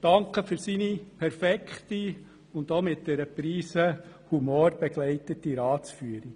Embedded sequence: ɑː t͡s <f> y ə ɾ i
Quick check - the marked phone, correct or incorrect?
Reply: correct